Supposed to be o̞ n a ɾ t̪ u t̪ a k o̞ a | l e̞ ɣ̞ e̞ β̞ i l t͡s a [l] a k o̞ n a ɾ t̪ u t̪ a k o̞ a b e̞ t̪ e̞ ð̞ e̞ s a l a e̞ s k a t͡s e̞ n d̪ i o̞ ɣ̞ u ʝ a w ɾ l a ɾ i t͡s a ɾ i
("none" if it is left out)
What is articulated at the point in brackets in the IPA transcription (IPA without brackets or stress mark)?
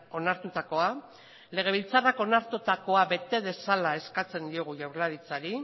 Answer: r